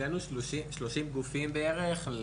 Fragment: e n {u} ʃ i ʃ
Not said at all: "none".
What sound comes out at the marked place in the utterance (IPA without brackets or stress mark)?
u